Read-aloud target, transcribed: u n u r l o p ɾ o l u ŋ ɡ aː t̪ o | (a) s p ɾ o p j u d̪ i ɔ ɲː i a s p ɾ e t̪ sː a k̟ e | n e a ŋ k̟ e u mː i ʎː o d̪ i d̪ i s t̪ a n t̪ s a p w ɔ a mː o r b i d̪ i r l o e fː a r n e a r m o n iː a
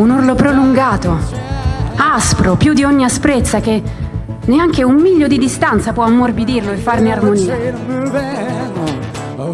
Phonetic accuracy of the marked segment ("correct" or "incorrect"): correct